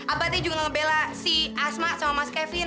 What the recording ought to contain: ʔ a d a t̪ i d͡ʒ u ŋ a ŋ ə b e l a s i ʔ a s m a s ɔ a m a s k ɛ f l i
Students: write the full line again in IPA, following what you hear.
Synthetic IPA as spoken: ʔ a b a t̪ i d͡ʒ u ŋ a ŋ ə b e l a s i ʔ a s m a s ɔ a m a s k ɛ f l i